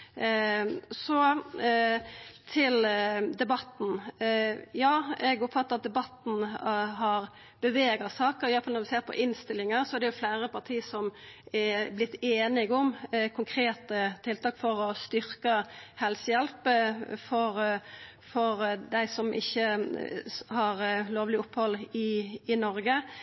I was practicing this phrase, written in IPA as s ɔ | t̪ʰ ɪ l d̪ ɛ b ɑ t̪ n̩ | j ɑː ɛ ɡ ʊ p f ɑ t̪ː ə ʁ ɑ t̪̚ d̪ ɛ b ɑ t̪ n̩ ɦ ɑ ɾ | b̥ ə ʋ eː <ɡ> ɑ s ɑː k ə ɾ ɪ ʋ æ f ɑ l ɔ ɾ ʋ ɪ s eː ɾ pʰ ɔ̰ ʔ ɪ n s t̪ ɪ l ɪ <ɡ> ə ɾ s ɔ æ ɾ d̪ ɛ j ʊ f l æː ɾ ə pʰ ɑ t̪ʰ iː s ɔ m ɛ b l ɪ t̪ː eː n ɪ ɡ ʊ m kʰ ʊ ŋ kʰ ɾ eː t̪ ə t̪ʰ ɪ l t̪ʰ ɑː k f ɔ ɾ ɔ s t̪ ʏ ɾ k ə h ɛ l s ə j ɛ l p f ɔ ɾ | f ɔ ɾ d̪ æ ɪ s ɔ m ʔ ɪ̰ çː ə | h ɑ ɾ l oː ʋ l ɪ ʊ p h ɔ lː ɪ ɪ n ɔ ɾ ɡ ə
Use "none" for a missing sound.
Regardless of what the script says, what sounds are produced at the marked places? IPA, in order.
ɡ, ŋ

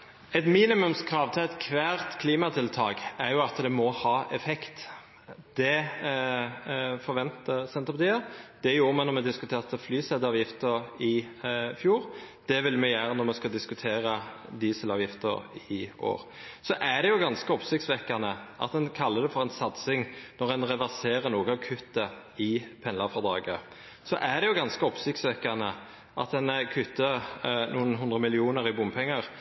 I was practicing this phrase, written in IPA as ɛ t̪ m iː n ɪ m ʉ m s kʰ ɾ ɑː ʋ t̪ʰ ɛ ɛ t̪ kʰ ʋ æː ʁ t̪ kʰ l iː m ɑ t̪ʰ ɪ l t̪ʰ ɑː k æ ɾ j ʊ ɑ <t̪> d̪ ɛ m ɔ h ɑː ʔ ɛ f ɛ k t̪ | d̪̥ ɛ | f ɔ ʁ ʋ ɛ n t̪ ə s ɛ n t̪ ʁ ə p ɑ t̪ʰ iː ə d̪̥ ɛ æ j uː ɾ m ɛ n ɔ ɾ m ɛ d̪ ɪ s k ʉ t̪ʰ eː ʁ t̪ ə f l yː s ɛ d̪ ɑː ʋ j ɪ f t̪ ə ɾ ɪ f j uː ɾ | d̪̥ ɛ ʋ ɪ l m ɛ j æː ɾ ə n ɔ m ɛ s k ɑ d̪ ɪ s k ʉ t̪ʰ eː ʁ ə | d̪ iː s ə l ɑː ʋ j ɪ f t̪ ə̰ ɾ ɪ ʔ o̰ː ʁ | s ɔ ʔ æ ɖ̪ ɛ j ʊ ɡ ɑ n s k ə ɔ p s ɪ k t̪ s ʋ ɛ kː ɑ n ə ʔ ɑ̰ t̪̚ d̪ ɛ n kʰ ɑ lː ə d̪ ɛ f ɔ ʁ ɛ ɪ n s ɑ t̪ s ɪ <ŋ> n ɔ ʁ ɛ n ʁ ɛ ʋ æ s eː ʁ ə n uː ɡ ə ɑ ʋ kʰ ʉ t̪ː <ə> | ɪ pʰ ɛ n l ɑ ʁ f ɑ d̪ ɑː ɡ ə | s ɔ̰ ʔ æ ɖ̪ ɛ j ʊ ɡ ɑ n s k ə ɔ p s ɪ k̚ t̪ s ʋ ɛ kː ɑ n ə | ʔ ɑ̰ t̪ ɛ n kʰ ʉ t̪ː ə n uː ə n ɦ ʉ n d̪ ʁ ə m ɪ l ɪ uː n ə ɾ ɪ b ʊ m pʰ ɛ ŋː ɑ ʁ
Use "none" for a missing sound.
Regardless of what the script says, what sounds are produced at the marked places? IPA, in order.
t̪, ŋ, ə

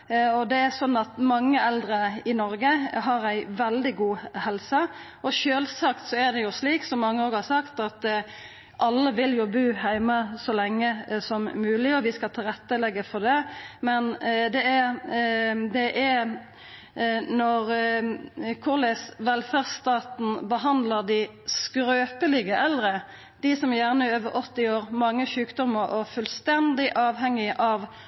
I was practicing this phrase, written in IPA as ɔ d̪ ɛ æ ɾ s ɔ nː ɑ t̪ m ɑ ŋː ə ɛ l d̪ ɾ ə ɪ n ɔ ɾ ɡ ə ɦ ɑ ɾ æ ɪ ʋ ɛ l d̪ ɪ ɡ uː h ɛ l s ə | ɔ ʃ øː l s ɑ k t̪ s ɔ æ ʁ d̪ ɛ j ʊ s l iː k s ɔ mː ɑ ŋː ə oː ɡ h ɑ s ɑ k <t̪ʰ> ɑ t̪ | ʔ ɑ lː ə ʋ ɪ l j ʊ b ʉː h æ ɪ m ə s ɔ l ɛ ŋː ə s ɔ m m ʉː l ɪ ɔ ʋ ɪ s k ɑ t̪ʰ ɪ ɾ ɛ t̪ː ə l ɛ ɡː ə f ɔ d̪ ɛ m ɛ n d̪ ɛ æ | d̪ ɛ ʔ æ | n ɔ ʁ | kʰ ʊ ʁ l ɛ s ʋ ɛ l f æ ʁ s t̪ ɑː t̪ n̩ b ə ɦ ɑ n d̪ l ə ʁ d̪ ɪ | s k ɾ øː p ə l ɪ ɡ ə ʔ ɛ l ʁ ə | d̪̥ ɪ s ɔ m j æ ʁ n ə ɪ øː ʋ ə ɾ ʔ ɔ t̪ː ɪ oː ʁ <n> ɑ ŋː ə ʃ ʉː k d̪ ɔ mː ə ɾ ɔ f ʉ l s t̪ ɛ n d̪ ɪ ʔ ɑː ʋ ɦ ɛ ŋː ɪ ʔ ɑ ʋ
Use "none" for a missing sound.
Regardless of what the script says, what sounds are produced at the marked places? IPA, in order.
t̪, m

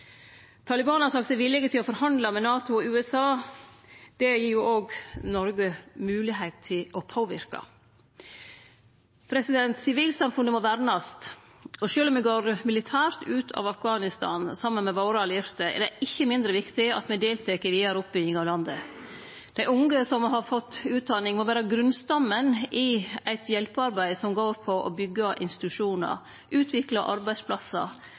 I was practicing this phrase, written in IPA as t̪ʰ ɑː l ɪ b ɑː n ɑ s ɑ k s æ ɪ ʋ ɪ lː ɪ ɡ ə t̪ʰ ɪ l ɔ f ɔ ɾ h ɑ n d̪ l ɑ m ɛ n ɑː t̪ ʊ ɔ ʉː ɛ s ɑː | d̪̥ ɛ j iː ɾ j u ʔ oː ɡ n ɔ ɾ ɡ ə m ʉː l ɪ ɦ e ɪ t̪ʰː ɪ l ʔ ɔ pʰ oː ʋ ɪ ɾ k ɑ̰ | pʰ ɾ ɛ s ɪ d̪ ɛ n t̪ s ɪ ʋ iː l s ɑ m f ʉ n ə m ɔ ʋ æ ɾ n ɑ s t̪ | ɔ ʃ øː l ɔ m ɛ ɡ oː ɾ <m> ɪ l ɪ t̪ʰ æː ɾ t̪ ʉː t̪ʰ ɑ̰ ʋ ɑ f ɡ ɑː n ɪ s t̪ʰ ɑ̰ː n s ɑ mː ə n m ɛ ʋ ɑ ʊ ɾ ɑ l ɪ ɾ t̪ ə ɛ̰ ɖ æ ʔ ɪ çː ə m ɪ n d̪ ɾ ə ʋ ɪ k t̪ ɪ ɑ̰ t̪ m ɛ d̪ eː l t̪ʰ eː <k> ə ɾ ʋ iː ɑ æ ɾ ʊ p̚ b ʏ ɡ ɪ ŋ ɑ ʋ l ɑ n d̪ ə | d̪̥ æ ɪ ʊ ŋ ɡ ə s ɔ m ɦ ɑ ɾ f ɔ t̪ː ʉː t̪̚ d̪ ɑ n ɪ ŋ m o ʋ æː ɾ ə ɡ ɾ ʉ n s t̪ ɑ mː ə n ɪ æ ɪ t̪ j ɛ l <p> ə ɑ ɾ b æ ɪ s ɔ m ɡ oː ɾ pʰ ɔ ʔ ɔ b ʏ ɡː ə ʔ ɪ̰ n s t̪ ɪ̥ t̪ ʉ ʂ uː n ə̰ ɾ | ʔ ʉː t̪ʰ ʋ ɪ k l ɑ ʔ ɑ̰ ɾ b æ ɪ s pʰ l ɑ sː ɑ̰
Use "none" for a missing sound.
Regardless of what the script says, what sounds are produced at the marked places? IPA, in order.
m, k, p

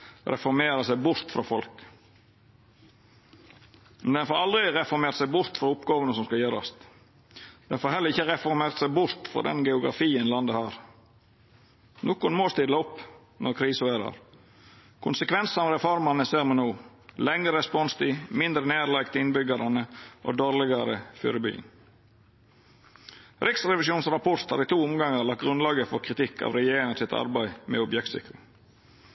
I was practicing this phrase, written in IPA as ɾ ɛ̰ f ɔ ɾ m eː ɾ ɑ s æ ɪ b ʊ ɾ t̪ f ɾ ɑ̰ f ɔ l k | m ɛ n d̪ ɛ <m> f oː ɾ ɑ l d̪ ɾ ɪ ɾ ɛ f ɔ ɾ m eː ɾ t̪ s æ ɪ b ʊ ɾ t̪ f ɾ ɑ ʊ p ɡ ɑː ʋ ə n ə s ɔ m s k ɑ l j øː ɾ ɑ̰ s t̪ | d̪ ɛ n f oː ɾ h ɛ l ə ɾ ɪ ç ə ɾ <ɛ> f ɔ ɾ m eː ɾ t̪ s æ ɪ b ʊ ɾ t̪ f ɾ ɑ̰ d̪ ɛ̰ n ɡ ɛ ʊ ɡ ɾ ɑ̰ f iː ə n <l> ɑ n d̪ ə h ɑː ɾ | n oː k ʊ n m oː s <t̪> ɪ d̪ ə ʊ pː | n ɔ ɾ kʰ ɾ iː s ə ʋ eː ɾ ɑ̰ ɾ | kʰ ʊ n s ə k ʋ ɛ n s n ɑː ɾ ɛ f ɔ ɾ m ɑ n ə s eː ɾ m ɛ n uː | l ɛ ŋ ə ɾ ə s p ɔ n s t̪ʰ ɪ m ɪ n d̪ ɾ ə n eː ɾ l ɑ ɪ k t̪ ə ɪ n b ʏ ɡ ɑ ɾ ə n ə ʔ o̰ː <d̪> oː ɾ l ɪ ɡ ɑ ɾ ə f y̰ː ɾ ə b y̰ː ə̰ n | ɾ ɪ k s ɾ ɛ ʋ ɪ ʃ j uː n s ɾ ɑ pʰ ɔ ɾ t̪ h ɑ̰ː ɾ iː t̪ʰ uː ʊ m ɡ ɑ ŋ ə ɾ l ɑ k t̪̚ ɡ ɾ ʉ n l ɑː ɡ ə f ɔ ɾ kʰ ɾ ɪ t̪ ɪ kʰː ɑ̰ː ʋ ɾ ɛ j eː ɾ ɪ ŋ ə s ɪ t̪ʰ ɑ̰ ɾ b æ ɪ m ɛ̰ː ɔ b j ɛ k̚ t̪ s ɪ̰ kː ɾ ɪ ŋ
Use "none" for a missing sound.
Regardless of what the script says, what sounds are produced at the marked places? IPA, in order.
n, ɛ, l, t̪, d̪

